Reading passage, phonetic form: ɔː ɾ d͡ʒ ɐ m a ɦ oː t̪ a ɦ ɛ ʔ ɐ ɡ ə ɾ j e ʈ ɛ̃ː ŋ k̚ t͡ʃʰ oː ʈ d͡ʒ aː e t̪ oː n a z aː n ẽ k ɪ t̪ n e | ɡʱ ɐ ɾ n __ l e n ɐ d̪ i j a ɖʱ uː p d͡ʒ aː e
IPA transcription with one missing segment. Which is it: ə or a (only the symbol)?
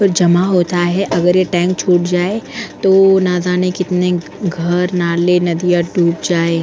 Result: a